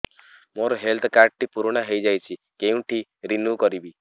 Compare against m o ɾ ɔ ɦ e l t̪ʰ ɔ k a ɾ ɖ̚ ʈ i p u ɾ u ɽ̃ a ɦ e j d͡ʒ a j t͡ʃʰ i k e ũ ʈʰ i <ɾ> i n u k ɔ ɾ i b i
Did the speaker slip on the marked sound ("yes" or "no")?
no